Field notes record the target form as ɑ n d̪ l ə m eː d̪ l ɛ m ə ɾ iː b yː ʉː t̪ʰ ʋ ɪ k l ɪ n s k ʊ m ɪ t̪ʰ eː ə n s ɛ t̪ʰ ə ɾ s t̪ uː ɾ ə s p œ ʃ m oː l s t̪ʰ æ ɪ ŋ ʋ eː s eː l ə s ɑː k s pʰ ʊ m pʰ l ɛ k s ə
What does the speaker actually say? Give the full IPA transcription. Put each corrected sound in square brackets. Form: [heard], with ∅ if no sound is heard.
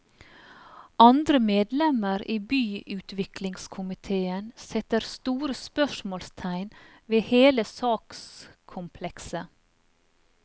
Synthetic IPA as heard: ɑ n d̪ [ɾ] ə m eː d̪ l ɛ m ə ɾ iː b yː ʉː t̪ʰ ʋ ɪ k l ɪ [ŋ] s [kʰ] ʊ m ɪ t̪ʰ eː ə n s ɛ [t̪] ə ɾ s t̪ uː ɾ ə s p œ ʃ m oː l s t̪ʰ æ ɪ [n] ʋ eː [h] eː l ə s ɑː k s [kʰ] ʊ m pʰ l ɛ k s ə